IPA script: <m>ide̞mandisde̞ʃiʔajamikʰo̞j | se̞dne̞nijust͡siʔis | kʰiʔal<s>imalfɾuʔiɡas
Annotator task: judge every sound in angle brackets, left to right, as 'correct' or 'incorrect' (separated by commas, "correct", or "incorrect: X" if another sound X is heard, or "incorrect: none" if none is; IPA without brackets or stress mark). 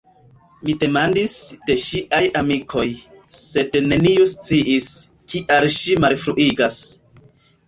correct, incorrect: ʃ